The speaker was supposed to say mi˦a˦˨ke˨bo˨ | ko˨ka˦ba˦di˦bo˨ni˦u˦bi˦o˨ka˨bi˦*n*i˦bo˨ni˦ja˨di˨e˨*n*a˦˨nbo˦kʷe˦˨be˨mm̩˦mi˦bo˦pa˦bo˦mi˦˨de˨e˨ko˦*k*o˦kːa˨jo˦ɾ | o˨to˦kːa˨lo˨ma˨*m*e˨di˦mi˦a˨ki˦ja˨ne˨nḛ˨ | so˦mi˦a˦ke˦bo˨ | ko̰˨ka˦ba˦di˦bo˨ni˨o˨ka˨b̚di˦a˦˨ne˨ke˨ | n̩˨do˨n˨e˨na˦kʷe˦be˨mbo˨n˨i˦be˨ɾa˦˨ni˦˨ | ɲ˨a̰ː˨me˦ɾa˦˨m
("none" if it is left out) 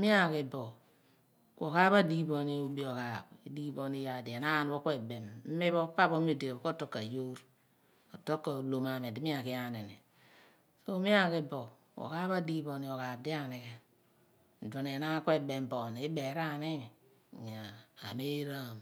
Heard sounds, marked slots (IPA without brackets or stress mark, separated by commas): d, n, t, m